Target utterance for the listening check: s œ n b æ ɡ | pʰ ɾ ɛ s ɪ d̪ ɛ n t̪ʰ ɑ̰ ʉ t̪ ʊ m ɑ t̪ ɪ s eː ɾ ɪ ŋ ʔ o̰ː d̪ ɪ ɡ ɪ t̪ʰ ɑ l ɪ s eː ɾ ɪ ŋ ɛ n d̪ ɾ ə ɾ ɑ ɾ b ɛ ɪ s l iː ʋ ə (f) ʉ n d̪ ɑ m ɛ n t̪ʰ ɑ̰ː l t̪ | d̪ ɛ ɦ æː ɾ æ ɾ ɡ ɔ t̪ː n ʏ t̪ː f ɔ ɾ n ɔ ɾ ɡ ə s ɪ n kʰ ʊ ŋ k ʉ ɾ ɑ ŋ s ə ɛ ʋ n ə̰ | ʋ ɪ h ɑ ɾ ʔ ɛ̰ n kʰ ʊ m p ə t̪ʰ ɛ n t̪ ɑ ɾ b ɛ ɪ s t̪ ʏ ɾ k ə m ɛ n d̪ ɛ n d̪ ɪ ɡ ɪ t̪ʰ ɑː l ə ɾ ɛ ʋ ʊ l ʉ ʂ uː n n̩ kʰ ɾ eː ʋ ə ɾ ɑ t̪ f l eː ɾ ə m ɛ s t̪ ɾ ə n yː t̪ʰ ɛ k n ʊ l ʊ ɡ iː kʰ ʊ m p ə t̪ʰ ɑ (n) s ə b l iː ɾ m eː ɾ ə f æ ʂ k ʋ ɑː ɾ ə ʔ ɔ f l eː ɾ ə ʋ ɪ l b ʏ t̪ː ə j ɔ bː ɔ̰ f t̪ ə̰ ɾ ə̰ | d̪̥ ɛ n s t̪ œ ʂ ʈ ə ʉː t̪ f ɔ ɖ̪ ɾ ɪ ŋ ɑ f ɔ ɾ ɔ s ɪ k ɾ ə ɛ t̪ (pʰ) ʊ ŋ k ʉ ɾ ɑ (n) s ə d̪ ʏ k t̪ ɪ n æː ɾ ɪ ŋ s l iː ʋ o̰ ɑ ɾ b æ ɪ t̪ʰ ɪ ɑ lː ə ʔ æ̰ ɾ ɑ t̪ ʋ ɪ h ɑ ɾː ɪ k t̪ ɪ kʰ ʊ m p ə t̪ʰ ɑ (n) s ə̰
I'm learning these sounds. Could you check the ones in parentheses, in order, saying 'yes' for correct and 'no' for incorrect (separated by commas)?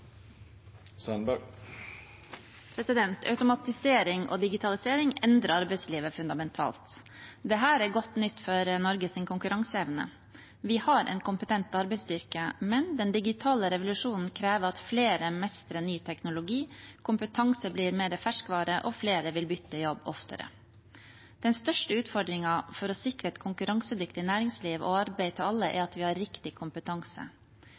yes, no, no, no, no